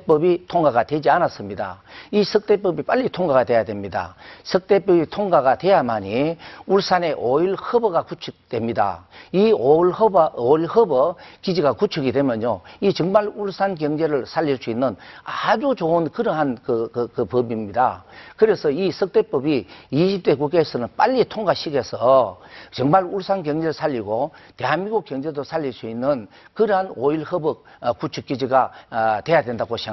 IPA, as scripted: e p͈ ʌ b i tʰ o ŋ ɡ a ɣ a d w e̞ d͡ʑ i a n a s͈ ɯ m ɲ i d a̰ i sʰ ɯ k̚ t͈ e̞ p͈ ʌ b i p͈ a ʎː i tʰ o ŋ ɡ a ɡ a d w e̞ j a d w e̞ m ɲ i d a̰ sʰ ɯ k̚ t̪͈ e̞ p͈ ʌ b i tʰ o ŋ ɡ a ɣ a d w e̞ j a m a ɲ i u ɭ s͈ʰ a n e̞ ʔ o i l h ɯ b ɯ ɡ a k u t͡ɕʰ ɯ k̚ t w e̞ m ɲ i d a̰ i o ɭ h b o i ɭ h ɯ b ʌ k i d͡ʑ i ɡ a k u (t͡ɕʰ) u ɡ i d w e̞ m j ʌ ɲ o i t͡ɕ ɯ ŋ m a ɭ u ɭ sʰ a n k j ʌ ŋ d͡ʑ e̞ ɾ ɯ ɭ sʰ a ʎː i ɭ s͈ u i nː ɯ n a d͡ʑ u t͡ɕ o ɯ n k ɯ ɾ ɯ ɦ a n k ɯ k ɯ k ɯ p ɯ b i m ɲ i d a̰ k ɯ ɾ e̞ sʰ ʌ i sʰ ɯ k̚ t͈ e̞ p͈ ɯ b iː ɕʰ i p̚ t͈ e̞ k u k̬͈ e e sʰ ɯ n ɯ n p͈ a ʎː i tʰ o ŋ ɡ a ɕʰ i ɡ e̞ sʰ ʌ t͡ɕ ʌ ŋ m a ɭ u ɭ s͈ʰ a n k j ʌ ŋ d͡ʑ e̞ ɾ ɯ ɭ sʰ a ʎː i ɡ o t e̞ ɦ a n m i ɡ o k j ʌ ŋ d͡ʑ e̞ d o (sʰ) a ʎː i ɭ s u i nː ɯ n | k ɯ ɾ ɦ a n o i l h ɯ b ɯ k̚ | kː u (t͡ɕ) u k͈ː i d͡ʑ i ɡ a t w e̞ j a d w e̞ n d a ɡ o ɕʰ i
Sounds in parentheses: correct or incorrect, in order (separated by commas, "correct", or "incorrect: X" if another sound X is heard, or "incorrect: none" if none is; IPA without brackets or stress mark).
correct, correct, incorrect: t͡ɕʰ